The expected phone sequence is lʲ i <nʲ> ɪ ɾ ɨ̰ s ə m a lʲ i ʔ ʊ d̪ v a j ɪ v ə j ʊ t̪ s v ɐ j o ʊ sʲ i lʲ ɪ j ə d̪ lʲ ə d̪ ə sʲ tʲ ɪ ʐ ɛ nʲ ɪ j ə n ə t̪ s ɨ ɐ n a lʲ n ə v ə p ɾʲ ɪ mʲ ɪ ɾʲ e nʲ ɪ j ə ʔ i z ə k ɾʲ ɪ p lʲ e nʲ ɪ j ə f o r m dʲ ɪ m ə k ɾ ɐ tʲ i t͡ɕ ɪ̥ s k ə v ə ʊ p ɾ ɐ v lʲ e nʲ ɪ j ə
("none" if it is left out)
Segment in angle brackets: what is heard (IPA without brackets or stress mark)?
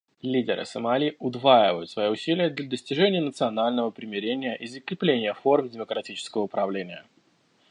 dʲ